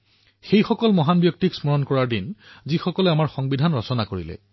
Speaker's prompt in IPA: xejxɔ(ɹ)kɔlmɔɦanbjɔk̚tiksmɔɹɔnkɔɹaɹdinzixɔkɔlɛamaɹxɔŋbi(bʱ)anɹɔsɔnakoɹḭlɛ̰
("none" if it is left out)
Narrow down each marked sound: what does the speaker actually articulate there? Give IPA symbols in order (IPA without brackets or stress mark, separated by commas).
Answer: none, dʱ